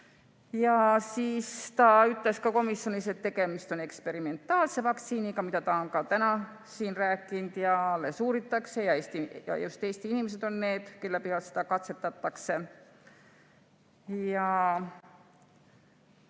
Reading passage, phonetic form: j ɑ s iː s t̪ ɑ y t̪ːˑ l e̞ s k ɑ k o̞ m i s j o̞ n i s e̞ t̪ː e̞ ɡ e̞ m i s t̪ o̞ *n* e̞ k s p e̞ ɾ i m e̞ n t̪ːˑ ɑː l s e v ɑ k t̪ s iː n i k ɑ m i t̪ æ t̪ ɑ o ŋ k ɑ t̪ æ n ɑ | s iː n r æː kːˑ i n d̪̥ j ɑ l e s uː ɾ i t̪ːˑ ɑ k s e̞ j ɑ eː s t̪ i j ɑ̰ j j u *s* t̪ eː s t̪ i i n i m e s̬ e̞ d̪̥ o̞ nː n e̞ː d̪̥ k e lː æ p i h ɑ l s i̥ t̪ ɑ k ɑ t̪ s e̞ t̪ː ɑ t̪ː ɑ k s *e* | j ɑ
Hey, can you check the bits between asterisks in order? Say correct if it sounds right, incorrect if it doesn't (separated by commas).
correct, correct, correct